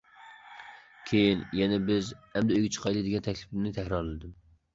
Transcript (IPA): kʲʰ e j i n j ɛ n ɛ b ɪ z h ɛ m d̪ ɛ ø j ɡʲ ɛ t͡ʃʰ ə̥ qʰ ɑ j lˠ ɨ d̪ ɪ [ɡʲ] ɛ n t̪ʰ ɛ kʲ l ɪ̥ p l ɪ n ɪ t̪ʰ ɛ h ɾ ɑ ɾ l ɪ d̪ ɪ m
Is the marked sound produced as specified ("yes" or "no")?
yes